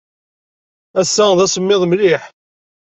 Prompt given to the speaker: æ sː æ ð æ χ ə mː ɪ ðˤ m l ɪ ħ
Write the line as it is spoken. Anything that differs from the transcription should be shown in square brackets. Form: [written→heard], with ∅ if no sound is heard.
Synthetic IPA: æ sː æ ð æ [χ→s] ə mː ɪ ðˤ m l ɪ ħ